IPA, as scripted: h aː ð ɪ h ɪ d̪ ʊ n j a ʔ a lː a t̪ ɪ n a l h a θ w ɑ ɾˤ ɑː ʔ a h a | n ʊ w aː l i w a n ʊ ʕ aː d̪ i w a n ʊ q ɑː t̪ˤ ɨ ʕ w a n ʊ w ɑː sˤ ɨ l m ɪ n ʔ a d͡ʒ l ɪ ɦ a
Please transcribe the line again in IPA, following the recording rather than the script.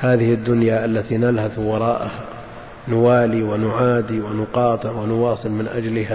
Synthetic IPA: h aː ð ɪ h ɪ d̪ː ʊ n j a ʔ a lː a t̪ i n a l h a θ w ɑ ɾˤ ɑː ʔ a h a | n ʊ w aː l i w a n ʊ ʕ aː d̪ i w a n ʊ q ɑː t̪ˤ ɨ ʕ w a n ʊ w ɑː sˤ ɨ l m ɪ n ʔ a d͡ʒ l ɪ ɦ a